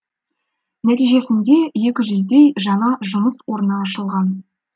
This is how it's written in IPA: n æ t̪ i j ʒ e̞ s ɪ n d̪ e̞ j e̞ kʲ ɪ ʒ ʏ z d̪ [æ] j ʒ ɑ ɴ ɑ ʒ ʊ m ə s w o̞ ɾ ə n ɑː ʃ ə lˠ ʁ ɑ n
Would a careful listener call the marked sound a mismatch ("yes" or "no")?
yes